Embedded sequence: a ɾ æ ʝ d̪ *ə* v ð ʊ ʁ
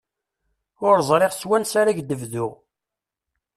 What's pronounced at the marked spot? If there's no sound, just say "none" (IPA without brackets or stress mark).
ə